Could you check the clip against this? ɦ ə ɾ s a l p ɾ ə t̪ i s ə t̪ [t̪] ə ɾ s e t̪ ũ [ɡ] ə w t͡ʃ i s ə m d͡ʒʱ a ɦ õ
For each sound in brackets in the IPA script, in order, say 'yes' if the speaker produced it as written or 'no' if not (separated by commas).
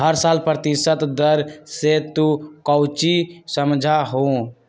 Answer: no, no